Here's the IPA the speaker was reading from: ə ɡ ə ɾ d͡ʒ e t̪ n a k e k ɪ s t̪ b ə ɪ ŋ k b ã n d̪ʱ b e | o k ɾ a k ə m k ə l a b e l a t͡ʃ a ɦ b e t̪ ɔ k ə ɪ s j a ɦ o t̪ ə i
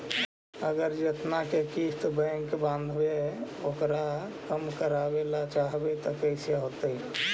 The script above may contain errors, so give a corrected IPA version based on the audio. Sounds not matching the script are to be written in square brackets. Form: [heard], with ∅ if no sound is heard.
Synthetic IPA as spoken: ə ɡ ə ɾ d͡ʒ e t̪ n a k e k [i] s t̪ b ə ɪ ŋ k b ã n d̪ʱ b e | o k ɾ a k ə m k ə [ɾ] a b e l a t͡ʃ a ɦ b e t̪ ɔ k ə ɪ s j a ɦ o t̪ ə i